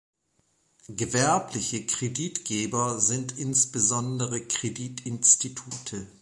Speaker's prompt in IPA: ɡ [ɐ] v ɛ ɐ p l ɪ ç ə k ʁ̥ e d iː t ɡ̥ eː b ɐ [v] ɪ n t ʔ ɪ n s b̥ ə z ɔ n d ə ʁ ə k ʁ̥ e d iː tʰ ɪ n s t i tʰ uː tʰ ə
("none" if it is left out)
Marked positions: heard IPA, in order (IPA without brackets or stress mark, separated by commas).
ə, z